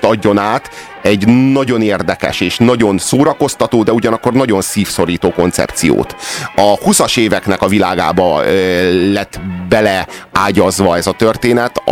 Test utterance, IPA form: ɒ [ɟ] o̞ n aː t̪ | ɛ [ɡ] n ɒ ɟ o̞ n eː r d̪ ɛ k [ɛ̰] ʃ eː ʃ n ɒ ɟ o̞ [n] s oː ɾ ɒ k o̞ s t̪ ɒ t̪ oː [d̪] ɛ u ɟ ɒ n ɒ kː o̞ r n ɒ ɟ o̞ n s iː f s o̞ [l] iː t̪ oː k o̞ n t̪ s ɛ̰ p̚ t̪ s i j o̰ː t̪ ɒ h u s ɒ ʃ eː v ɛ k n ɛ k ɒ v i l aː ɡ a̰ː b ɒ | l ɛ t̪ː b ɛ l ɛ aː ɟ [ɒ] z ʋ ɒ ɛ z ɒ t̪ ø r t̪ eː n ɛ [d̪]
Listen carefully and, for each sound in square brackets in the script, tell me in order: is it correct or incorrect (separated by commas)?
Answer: incorrect, incorrect, correct, correct, correct, incorrect, correct, incorrect